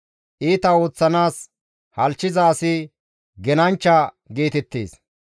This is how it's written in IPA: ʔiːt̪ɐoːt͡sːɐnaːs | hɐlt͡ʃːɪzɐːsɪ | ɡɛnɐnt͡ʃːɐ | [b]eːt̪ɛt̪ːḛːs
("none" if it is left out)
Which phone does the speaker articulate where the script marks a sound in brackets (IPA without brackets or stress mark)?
ɡ